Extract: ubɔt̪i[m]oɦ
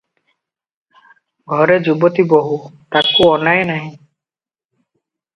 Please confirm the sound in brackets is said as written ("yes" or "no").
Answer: no